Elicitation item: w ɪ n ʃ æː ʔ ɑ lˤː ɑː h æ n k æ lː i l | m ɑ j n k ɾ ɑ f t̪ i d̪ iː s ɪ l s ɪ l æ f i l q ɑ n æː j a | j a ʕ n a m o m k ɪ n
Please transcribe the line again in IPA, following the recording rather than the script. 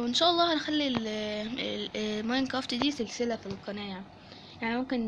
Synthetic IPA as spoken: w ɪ n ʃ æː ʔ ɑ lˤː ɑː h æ n x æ lː i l | m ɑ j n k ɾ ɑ f t̪ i d̪ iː s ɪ l s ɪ l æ f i l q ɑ n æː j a | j a ʕ n i m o m k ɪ n